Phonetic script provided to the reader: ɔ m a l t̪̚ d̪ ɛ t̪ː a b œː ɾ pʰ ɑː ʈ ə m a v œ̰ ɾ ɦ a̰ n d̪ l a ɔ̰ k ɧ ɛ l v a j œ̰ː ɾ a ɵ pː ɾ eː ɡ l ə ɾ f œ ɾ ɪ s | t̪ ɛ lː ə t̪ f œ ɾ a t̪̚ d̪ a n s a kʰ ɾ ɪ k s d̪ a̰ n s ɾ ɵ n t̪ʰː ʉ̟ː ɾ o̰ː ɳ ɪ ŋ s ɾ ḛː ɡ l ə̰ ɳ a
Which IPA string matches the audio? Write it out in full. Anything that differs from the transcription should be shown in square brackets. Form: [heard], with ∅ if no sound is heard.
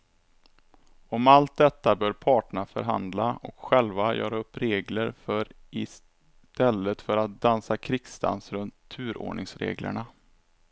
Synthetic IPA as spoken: ɔ m a l t̪̚ d̪ ɛ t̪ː a b œː ɾ pʰ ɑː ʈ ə [ɳ] a [f] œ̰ ɾ ɦ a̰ n d̪ l a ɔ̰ k ɧ ɛ l v a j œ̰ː ɾ a ɵ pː ɾ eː ɡ l ə ɾ f œ ɾ ɪ s | t̪ ɛ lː ə t̪ f œ ɾ a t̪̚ d̪ a n s a kʰ ɾ ɪ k s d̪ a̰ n s ɾ ɵ n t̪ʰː ʉ̟ː ɾ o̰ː ɳ ɪ ŋ s ɾ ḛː ɡ l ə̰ ɳ a

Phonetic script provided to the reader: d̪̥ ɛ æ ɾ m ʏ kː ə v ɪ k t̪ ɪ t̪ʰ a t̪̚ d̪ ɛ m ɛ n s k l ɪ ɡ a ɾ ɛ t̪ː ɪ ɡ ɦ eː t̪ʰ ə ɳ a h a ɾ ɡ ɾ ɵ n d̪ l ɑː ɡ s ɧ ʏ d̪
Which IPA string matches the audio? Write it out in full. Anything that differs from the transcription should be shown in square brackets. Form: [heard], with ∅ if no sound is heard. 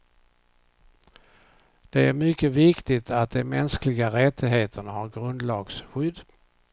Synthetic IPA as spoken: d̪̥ ɛ æ ɾ m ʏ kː ə v ɪ k t̪ ɪ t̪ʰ a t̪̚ d̪ ɛ m ɛ n s k l ɪ ɡ a ɾ ɛ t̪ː ɪ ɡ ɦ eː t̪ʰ ə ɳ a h a ɾ ɡ ɾ ɵ n d̪ l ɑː ɡ s ɧ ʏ d̪

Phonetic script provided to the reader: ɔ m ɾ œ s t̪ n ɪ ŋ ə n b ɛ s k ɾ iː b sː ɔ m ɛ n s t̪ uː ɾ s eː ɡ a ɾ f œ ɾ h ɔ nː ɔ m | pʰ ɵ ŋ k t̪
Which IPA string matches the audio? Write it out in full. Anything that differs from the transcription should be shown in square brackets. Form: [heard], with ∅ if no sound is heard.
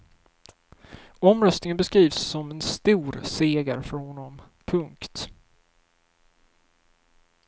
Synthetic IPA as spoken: ɔ m ɾ œ s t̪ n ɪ ŋ ə n b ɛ s k ɾ iː [v] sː ɔ m ɛ n s t̪ uː ɾ s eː ɡ a ɾ f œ ɾ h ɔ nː ɔ m | pʰ ɵ ŋ k t̪

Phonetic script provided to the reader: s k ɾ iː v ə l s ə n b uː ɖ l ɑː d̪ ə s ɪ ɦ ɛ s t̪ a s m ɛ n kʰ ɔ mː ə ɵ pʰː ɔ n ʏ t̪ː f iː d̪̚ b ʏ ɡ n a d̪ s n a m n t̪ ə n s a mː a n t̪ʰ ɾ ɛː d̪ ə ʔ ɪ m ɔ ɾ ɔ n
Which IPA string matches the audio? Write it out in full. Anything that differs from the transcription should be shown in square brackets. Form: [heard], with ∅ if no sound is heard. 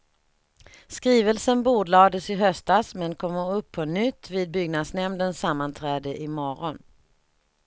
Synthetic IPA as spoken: s k ɾ iː v ə l s ə n b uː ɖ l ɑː d̪ ə s ɪ ɦ [œ] s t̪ a s m ɛ n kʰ ɔ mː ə ɵ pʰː ɔ n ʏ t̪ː [v] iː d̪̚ b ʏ ɡ n a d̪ s n [ɛ] m n [d̪] ə n s a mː a n t̪ʰ ɾ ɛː d̪ ə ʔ ɪ m ɔ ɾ ɔ n

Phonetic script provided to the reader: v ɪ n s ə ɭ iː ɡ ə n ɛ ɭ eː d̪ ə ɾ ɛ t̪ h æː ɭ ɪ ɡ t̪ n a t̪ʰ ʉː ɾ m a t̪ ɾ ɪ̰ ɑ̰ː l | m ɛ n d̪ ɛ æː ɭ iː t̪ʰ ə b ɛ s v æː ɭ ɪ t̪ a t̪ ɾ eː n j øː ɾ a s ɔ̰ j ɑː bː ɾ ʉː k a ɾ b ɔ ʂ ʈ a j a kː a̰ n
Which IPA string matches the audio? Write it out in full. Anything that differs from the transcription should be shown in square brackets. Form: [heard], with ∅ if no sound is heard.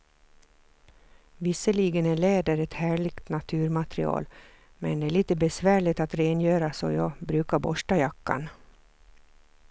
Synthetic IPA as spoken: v ɪ [∅] s ə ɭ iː ɡ ə n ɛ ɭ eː d̪ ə ɾ ɛ t̪ h æː ɭ ɪ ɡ t̪ n a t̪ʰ ʉː ɾ m a t̪ ɾ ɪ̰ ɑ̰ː l | m ɛ n d̪ ɛ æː ɭ iː [t̪] ə b ɛ s v æː ɭ ɪ t̪ a t̪ ɾ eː n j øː ɾ a s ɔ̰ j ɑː [b] ɾ ʉː k a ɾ b ɔ ʂ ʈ a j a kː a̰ n

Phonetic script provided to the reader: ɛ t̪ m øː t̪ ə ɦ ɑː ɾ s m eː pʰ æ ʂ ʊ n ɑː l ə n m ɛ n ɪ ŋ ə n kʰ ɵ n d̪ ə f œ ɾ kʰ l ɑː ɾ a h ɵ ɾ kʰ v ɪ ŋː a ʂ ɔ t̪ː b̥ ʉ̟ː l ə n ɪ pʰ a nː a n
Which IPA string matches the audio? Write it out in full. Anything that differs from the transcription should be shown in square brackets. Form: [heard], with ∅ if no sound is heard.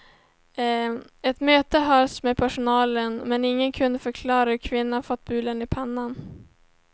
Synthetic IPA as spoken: ɛ t̪ m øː t̪ ə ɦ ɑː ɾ s m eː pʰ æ ʂ ʊ n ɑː l ə n m ɛ n ɪ [ŋː] ə n kʰ ɵ n d̪ ə f œ ɾ kʰ l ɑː ɾ a h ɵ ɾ kʰ v ɪ [nː] a [f] ɔ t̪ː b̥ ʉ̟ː l ə n ɪ pʰ a nː a n

